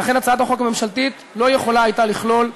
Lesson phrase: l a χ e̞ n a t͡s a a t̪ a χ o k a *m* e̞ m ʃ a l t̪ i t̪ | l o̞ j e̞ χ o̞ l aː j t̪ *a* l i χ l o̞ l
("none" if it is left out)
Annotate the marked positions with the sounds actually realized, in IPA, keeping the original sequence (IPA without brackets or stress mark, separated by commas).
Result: m, a